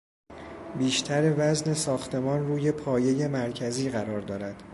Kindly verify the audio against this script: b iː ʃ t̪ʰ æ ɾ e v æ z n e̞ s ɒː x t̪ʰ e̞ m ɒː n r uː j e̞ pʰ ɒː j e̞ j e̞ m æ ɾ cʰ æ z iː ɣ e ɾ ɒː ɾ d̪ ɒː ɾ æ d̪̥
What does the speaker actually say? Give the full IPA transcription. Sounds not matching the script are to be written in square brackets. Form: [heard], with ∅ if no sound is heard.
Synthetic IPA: b iː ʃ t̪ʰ æ ɾ e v æ z n e̞ s ɒː x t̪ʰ e̞ m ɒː n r uː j e̞ pʰ ɒː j e̞ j e̞ m æ ɾ cʰ æ z iː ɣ [æ] ɾ ɒː ɾ d̪ ɒː ɾ æ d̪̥